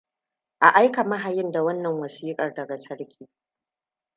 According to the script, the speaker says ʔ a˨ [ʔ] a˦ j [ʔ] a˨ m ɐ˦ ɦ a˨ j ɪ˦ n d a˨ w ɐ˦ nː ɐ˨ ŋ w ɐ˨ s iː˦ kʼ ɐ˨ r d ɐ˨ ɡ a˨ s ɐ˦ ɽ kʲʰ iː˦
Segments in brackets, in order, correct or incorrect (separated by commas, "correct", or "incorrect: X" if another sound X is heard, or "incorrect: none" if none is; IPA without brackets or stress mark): correct, incorrect: k